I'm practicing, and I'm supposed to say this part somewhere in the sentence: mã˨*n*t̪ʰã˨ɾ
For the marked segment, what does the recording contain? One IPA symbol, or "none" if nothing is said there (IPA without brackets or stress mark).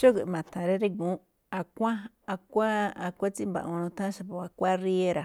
none